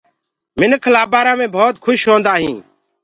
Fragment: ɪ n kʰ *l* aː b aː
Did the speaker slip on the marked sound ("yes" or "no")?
no